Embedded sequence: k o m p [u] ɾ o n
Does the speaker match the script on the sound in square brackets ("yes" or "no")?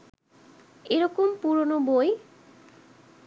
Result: yes